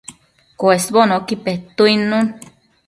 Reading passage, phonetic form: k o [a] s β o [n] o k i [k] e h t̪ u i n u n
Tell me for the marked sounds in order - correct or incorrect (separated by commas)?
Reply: incorrect, correct, incorrect